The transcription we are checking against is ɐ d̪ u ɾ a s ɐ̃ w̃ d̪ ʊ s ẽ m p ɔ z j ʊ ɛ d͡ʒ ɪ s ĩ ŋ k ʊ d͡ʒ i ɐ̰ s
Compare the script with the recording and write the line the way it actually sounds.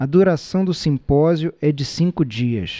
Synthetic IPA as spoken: ɐ d̪ u ɾ a s ɐ̃ w̃ d̪ ʊ s ĩ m p ɔ z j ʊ ɛ d͡ʒ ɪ s ĩ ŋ k ʊ d͡ʒ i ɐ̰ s